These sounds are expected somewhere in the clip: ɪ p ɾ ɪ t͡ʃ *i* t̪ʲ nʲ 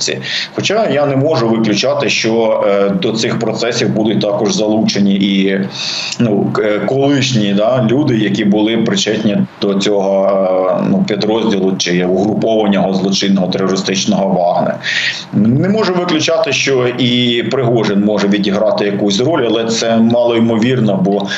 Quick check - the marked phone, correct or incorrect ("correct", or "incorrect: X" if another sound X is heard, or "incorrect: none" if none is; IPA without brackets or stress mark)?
incorrect: ɛ